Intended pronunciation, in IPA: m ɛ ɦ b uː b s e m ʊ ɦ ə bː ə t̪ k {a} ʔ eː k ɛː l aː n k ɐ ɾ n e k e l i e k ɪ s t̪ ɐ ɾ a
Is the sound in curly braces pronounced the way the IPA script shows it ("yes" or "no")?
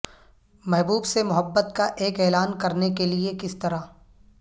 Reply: yes